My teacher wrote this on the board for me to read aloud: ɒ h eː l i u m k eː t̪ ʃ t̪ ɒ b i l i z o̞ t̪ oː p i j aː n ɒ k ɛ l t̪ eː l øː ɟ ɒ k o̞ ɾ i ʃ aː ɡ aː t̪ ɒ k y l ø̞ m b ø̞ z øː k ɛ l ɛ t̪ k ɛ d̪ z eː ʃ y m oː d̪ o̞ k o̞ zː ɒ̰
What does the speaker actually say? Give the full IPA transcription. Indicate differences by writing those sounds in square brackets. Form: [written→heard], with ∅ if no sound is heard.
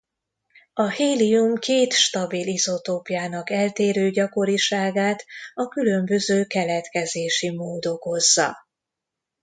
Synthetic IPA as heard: ɒ h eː l i u m k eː t̪ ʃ t̪ ɒ b i l i z o̞ t̪ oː p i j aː n ɒ k ɛ l t̪ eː [l→ɾ] øː ɟ ɒ k o̞ ɾ i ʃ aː ɡ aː t̪ ɒ k y l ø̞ m b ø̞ z øː k ɛ l ɛ t̪ k ɛ [d̪→∅] z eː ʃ [y→i] m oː d̪ o̞ k o̞ zː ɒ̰